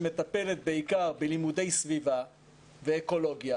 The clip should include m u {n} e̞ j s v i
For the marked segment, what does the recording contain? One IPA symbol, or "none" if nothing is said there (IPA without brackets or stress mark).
d